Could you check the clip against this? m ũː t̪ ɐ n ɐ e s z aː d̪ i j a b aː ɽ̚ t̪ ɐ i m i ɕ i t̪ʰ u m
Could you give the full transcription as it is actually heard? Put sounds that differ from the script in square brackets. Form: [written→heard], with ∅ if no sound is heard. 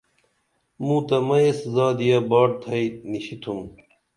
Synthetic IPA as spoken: m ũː t̪ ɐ [n→m] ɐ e s z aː d̪ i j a b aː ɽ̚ [t̪→t̪ʰ] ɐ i [m→n] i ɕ i t̪ʰ u m